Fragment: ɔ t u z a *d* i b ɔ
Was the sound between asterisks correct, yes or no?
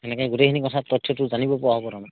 no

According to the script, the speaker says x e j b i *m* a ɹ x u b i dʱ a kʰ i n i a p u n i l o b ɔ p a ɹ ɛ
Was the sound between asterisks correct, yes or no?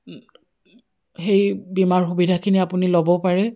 yes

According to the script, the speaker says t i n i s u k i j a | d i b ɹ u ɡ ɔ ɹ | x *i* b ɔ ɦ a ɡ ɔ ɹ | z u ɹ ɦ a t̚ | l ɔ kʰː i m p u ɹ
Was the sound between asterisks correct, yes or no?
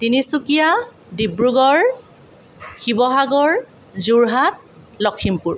yes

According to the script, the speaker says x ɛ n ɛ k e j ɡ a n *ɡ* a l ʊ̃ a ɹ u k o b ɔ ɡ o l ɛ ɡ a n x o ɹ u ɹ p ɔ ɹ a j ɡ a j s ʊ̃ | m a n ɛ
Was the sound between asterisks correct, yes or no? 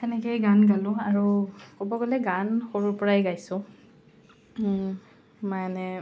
yes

